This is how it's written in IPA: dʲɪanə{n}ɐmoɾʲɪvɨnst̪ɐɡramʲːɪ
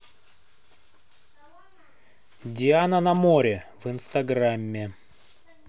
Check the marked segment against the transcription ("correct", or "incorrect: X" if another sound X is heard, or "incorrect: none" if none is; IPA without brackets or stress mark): correct